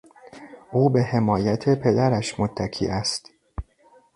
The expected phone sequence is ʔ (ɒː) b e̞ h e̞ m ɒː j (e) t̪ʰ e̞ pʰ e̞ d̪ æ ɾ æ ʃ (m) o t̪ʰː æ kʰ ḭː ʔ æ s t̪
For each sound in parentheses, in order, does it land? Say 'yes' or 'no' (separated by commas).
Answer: no, no, yes